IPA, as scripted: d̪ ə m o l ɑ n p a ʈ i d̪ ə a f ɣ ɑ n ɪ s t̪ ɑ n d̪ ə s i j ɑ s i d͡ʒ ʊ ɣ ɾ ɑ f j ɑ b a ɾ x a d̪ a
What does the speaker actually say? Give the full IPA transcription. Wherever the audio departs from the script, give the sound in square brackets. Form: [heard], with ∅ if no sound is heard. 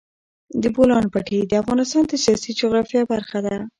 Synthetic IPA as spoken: d̪ ə [b] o l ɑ n p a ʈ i d̪ ə a f ɣ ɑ n ɪ s t̪ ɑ n d̪ ə s i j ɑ s i d͡ʒ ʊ ɣ ɾ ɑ f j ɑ b a ɾ x a d̪ a